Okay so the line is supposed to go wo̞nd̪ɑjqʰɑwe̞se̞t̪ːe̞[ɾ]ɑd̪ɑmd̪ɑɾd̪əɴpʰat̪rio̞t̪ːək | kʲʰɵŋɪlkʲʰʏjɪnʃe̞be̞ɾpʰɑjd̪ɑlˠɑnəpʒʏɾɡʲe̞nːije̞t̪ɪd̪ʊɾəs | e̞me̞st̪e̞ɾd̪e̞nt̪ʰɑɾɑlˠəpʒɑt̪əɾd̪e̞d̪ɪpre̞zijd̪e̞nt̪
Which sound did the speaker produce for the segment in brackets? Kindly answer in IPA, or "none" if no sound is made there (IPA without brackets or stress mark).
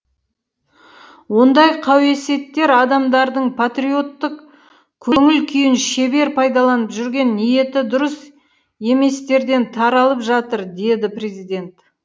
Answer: ɾ